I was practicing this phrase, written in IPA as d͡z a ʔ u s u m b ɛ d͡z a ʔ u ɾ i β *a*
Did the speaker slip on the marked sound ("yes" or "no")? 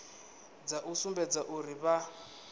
no